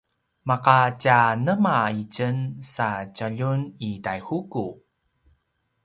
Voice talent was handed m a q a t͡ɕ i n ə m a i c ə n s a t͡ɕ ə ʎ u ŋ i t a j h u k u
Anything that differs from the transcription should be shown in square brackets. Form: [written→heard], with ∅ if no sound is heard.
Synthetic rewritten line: m a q a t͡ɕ [i→a] n ə m a i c ə n s a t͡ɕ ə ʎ u [ŋ→n] i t a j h u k u